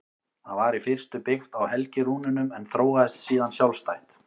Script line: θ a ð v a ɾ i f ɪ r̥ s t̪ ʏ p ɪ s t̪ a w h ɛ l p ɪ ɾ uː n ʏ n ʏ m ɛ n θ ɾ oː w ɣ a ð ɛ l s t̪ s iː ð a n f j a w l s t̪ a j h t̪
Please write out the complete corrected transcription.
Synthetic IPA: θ a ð v a ɾ i f ɪ r̥ s t̪ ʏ p ɪ x t̪ a w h ɛ l c ɪ ɾ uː n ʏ n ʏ m ɛ n θ ɾ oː w ɣ a ð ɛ s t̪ s iː ð a n s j a w l s t̪ a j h t̪